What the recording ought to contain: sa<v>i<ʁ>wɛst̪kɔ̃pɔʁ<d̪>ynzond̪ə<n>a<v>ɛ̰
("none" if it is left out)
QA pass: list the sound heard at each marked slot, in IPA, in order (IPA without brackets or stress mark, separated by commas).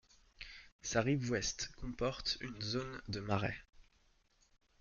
ʁ, v, t̪, m, ʁ